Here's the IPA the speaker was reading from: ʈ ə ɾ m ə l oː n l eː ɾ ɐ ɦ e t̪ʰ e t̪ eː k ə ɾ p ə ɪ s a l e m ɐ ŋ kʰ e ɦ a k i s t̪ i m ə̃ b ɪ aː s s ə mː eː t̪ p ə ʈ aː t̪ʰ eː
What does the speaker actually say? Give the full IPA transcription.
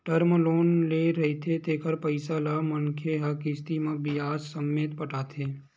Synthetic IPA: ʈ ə ɾ m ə l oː n l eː ɾ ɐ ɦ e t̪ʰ e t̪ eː k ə ɾ p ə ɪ s a l a m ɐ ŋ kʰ e ɦ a k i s t̪ i m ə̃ b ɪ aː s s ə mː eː t̪ p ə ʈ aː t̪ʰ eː